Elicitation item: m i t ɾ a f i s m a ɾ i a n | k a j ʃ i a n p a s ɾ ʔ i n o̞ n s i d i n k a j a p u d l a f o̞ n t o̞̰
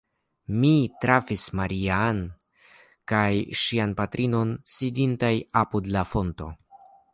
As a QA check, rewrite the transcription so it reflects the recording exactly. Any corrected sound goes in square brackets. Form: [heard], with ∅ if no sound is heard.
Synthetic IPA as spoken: m i t ɾ a f i s m a ɾ i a n | k a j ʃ i a n p a [t] ɾ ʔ i n o̞ n s i d i n [t] a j a p u d l a f o̞ n t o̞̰